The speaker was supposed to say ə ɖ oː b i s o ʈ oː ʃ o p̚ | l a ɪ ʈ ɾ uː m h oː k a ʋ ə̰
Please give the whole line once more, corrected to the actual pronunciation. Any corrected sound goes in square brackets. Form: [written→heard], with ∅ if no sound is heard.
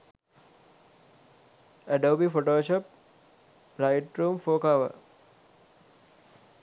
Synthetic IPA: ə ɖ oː b i [s→f] o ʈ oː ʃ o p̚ | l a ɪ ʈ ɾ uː m [h→f] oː k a ʋ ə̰